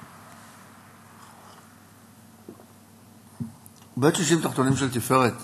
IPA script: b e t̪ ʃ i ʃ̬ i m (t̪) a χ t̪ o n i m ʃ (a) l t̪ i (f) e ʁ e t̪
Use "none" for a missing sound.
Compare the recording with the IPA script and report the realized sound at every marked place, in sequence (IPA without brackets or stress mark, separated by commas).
t̪, e, f